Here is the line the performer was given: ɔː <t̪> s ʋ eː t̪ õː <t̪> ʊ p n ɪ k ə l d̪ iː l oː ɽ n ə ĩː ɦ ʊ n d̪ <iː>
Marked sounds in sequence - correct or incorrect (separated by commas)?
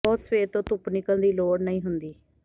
correct, correct, correct